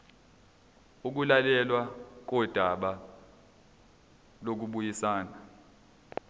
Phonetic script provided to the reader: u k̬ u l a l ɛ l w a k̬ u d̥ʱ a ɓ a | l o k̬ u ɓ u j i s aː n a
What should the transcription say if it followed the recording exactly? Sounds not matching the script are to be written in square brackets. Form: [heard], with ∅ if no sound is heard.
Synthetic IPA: u k̬ u l a l ɛ l w a k̬ [ɔ] d̥ʱ a ɓ a | l o k̬ u ɓ u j i s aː n a